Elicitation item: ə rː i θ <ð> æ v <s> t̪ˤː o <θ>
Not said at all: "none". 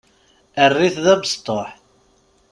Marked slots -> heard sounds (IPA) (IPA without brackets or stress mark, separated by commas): ð, s, ħ